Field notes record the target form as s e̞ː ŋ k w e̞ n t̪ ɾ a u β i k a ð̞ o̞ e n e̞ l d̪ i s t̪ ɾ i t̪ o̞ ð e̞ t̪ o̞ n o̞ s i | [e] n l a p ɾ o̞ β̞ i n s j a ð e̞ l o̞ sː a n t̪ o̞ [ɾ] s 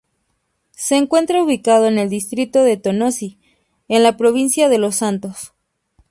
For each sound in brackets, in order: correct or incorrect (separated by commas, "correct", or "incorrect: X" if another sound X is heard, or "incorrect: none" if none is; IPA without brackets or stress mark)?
correct, incorrect: none